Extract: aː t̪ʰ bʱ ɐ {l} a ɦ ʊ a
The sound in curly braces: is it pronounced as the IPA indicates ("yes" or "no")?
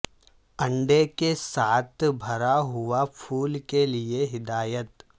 no